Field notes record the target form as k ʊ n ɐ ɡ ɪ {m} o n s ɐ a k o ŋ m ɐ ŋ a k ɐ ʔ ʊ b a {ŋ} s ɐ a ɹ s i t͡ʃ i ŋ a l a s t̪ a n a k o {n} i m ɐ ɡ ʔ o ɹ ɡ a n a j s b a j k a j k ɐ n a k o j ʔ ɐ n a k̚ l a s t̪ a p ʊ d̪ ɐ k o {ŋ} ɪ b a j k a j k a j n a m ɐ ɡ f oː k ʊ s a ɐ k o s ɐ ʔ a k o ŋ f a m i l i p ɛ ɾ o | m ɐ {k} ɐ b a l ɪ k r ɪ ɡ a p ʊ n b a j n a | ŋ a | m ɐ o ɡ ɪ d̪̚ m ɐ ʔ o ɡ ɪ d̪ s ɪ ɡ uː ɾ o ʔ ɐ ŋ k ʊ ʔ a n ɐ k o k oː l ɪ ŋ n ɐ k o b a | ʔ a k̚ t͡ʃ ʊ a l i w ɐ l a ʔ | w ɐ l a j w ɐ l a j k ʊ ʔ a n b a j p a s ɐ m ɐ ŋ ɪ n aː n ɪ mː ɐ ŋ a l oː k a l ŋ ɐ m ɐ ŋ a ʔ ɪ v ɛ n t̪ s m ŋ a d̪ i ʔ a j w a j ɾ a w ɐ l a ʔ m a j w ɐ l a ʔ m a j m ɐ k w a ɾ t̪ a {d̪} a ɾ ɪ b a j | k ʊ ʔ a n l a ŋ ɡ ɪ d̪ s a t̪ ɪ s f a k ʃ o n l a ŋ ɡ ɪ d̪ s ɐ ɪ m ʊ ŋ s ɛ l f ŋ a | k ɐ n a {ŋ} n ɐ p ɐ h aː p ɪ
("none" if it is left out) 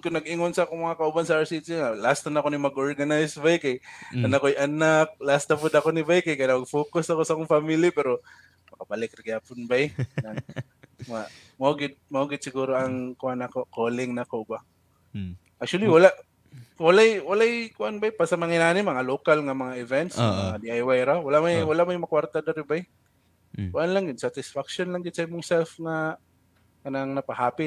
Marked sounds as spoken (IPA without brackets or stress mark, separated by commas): ŋ, n, n, n, k, d̪, ŋ